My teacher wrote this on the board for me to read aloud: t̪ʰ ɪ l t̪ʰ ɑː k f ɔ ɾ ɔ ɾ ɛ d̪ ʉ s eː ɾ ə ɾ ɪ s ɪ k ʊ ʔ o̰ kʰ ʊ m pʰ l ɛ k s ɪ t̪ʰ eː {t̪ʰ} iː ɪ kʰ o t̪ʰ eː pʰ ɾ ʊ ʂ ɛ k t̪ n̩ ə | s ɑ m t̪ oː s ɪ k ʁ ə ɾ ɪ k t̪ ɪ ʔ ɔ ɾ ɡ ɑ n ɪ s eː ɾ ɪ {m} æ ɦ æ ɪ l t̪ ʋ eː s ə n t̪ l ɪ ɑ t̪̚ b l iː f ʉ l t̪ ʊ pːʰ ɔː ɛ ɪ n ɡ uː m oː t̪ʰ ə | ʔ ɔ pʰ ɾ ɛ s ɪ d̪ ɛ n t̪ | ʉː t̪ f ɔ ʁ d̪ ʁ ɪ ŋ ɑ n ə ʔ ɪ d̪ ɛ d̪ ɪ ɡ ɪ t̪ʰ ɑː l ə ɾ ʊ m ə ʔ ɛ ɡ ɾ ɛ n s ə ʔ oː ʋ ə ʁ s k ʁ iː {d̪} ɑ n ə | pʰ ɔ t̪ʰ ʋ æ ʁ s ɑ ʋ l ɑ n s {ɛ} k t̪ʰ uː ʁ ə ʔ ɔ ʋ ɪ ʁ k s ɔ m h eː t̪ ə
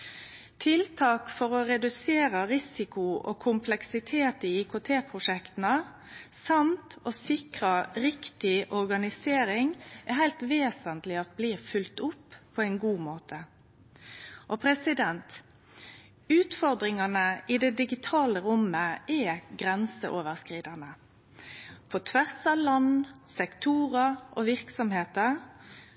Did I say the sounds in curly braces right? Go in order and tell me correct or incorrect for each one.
incorrect: t̪, incorrect: ŋ, correct, correct

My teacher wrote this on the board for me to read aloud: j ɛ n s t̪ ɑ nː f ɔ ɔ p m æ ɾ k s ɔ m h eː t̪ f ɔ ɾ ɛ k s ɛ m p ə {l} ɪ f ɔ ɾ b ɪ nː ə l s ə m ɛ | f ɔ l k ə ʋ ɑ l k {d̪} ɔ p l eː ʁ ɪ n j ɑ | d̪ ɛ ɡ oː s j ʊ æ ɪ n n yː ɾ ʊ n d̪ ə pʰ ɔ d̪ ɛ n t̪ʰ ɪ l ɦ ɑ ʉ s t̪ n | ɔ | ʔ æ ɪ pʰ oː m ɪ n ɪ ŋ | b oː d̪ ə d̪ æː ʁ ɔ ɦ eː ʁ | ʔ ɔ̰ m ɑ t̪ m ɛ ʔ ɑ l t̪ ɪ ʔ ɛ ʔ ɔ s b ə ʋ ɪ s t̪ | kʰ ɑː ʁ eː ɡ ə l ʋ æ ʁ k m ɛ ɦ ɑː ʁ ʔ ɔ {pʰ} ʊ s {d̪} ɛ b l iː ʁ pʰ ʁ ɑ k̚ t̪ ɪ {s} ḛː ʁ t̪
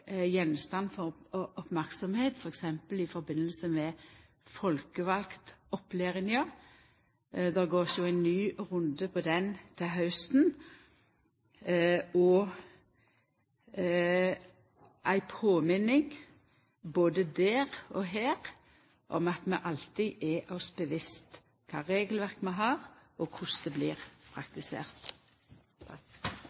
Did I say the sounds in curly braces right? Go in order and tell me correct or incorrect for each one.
correct, incorrect: t̪, incorrect: kʰ, correct, correct

